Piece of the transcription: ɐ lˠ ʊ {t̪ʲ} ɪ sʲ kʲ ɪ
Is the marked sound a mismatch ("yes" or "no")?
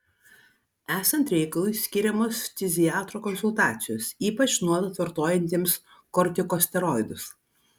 yes